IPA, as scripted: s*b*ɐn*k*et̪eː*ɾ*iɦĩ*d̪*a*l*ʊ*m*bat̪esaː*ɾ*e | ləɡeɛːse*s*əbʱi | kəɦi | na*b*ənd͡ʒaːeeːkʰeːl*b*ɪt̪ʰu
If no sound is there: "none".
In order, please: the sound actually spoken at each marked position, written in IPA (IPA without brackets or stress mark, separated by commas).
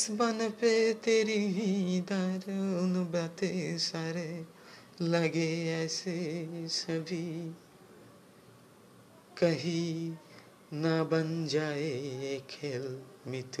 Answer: b, p, ɾ, d̪, ɾ, n, ɾ, s, b, m